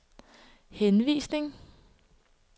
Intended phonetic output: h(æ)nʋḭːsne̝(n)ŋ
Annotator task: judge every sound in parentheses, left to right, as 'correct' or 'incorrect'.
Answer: incorrect, incorrect

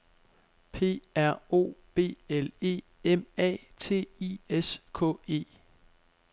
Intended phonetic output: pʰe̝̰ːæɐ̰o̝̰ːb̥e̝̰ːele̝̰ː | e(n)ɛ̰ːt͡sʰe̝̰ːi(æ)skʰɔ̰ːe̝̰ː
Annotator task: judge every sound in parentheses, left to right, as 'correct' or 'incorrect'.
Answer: incorrect, incorrect

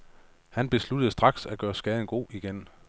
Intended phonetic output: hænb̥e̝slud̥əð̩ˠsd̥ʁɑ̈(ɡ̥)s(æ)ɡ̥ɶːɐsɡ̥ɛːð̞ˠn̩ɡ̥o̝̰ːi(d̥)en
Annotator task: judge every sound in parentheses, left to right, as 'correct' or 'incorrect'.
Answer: correct, correct, incorrect

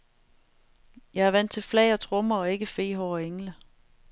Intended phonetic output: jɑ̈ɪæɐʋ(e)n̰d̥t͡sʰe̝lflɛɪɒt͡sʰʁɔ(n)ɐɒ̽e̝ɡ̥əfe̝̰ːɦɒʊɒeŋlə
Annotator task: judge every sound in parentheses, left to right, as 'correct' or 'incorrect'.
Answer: incorrect, incorrect

